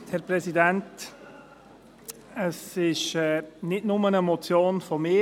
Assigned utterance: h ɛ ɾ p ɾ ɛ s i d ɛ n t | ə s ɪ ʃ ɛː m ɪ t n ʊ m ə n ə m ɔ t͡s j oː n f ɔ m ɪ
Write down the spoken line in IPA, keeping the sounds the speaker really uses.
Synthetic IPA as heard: h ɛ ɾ p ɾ ɛ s i d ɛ n t | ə s ɪ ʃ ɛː n ɪ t n ʊ m ə n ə m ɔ t͡s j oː n f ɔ m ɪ